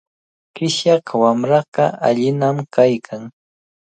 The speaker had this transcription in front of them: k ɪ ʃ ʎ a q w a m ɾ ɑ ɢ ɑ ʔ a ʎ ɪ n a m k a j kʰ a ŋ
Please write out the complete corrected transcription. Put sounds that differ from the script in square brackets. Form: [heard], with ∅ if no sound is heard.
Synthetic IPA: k ɪ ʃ [j] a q w a m ɾ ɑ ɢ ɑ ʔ a ʎ ɪ n a m k a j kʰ a ŋ